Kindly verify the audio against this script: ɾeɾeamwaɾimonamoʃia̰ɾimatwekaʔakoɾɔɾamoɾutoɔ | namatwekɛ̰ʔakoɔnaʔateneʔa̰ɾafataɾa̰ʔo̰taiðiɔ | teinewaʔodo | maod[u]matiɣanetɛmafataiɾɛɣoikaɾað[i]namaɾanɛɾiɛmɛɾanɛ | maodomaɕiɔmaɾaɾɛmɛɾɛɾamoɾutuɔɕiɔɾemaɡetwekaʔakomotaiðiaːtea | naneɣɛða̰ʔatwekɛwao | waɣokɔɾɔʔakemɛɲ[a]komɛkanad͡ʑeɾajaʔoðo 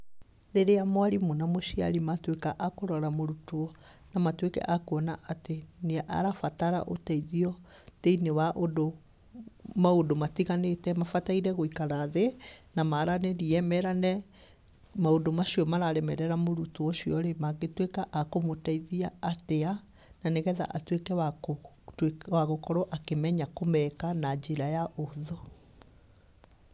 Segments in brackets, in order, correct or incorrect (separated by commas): incorrect, incorrect, correct